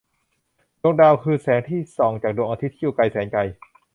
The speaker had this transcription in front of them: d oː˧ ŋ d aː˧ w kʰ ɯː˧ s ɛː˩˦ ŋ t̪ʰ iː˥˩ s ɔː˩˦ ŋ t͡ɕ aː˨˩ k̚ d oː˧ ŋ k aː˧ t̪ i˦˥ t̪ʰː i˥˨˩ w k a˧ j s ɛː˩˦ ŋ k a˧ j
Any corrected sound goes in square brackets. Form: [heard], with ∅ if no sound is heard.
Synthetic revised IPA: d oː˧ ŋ d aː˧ w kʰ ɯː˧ s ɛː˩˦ ŋ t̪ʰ iː˥˩ s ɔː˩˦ ŋ t͡ɕ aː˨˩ k̚ d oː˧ ŋ [ʔ] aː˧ t̪ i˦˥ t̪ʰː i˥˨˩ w k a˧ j s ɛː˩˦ ŋ k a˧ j

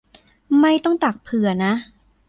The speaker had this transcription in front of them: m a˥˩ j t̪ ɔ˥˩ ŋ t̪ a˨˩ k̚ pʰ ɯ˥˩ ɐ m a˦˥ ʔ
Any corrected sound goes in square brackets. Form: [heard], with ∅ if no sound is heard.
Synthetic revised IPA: m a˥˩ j t̪ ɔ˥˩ ŋ t̪ a˨˩ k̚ pʰ [ɯ˨˩˦] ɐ [n] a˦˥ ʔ

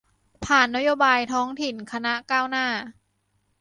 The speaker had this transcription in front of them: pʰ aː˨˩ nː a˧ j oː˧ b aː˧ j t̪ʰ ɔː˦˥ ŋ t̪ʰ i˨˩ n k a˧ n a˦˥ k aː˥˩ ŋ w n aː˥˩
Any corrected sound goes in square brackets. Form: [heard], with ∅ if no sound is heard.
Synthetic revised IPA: pʰ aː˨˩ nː [a˦˥] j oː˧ b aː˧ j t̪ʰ ɔː˦˥ ŋ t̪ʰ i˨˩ n [kʰ] a˧ n a˦˥ k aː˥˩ [∅] w n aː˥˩

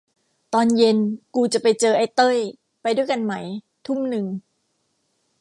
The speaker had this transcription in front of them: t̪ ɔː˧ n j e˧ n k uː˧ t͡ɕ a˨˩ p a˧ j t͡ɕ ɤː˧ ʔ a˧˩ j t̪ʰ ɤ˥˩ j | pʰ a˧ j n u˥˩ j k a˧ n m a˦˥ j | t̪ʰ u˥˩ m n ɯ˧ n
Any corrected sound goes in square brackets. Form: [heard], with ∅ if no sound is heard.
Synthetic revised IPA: t̪ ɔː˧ n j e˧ n k uː˧ t͡ɕ a˨˩ p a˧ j t͡ɕ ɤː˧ ʔ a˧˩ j [t̪] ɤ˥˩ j | [p] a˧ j [d] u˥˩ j k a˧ n m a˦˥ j | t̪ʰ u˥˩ m n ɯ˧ [ŋ]

